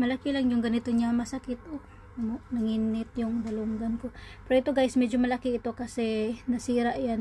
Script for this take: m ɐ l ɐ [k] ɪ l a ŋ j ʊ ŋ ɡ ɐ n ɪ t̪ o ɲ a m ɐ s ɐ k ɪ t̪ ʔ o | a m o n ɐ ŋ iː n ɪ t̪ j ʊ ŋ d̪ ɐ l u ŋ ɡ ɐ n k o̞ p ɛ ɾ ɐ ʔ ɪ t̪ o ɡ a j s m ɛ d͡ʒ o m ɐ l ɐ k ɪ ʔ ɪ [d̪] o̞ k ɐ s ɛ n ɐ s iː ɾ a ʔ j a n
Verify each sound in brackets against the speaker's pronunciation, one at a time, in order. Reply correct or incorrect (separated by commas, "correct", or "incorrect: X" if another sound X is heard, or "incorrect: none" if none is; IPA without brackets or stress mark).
correct, incorrect: t̪